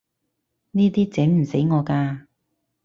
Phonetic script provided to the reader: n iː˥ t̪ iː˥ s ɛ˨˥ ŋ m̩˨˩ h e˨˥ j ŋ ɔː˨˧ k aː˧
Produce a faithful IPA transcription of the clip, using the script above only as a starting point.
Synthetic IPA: n iː˥ t̪ iː˥ t͡s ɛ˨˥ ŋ m̩˨˩ s e˨˥ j ŋ ɔː˨˧ k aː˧